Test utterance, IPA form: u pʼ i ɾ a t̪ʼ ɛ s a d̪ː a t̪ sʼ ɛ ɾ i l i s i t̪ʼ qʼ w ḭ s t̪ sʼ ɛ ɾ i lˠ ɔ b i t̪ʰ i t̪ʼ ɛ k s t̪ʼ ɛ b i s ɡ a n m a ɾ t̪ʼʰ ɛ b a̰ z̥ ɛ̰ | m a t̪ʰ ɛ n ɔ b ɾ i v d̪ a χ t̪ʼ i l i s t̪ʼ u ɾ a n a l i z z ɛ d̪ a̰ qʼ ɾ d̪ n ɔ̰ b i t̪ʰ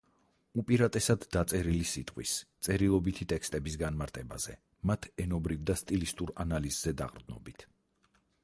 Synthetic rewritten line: u pʼ i ɾ a t̪ʼ ɛ s a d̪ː a t̪ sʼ ɛ ɾ i l i s i t̪ʼ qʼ w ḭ s t̪ sʼ ɛ ɾ i lˠ ɔ b i t̪ʰ i t̪ʼ ɛ k s t̪ʼ ɛ b i s ɡ a n m a ɾ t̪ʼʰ ɛ b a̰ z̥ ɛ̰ | m a t̪ʰ ɛ n ɔ b ɾ i v d̪ a s t̪ʼ i l i s t̪ʼ u ɾ a n a l i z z ɛ d̪ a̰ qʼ ɾ d̪ n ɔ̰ b i t̪ʰ